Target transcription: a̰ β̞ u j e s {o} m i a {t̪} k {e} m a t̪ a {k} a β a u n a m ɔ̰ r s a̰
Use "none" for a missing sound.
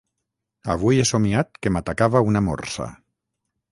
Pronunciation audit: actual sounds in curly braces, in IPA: o, t̪, e, k

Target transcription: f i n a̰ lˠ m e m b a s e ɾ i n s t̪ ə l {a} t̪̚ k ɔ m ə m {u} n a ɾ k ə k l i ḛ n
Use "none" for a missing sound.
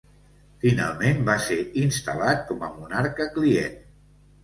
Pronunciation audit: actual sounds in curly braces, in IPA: a, u

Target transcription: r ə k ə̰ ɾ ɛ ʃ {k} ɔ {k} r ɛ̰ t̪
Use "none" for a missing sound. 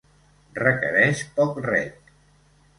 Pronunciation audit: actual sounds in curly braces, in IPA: p, k

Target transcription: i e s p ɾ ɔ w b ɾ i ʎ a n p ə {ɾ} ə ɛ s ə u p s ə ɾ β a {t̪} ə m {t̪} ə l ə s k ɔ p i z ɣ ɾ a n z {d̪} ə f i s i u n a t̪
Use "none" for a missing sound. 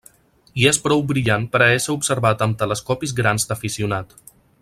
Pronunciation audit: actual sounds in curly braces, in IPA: ɾ, t̪, t̪, d̪

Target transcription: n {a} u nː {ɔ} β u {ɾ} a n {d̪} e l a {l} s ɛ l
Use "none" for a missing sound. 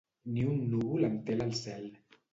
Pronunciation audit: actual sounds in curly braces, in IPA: i, u, l, t̪, l

